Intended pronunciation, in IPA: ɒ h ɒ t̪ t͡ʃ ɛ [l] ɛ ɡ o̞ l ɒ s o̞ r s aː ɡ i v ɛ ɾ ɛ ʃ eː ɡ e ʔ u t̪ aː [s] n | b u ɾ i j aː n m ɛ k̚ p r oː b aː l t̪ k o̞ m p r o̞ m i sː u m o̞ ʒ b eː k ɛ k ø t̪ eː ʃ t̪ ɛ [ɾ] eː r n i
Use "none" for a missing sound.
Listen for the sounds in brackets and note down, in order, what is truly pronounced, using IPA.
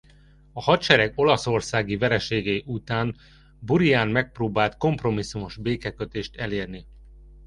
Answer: ɾ, none, l

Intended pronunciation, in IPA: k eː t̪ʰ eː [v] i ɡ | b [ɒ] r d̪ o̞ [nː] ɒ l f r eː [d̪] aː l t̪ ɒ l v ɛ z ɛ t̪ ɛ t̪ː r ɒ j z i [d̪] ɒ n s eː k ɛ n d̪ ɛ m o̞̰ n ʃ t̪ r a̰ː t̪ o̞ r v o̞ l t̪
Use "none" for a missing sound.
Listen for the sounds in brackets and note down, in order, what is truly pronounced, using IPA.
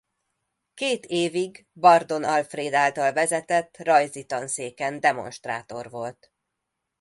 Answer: v, ɒ, n, d̪, t̪

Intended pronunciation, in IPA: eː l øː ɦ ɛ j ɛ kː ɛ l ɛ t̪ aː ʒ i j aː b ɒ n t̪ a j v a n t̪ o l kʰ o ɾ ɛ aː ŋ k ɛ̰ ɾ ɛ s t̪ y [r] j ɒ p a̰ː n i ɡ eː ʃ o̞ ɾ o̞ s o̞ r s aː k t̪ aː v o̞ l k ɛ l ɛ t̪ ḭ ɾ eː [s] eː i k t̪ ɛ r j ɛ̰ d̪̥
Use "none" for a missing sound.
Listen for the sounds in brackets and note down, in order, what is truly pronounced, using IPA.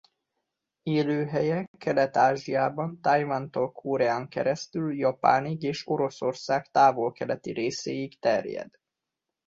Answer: l, s

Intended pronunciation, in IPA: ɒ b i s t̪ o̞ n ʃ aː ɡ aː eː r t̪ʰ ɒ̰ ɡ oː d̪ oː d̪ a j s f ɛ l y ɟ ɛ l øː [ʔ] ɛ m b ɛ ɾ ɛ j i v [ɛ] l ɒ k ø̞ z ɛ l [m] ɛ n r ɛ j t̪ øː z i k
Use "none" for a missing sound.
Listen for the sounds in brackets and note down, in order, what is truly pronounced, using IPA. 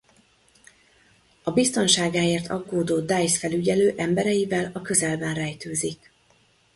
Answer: ʔ, ɛ, b

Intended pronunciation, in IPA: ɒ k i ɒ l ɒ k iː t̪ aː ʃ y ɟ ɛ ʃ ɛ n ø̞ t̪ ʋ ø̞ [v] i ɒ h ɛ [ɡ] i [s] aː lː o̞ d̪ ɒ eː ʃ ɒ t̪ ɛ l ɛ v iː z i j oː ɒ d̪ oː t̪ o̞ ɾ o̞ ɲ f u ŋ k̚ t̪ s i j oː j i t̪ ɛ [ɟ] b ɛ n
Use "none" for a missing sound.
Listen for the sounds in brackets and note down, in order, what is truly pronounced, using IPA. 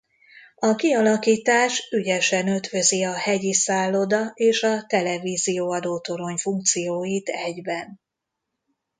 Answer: z, ɟ, s, ɟ

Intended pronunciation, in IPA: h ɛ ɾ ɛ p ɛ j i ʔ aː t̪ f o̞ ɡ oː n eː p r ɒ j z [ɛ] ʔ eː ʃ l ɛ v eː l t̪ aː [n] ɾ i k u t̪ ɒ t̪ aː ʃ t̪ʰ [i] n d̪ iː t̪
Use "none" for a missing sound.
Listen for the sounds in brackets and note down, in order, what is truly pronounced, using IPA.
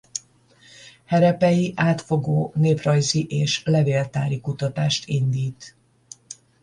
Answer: i, none, i

